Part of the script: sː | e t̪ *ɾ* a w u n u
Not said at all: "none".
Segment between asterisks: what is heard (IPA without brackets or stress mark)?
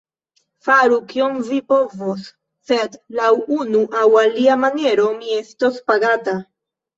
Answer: l